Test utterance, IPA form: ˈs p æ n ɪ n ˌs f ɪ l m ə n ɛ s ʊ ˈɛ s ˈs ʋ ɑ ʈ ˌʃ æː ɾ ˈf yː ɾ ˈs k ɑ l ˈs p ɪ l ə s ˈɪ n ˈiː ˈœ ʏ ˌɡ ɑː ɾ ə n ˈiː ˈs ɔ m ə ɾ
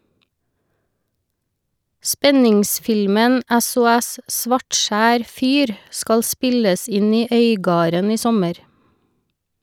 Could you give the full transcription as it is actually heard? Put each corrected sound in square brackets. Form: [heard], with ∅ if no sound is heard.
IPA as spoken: ˈs p [ɛ] n ɪ [ŋ] ˌs f ɪ l m ə n ɛ s ʊ ˈɛ s ˈs ʋ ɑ ʈ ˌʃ æː ɾ ˈf yː ɾ ˈs k ɑ l ˈs p ɪ l ə s ˈɪ n ˈiː ˈœ ʏ ˌɡ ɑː ɾ ə n ˈiː ˈs ɔ m ə ɾ